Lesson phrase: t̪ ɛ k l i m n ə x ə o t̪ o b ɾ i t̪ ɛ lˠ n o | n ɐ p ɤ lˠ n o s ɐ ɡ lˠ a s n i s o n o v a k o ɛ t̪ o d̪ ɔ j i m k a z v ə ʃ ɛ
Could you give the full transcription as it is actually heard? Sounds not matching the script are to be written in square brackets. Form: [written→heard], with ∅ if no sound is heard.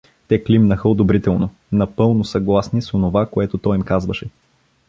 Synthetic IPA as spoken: t̪ ɛ k l i m n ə x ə o [t̪→d̪] o b ɾ i t̪ ɛ lˠ n o | n ɐ p ɤ lˠ n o s ɐ ɡ lˠ a s n i s o n o v a k o ɛ t̪ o [d̪→t̪] ɔ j i m k a z v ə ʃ ɛ